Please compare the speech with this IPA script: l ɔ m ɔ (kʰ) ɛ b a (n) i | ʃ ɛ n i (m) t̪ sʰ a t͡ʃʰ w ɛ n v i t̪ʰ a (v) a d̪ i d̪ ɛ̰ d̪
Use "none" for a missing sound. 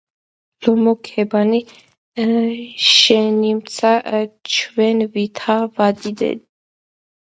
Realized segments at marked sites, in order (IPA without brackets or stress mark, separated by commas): kʰ, n, m, v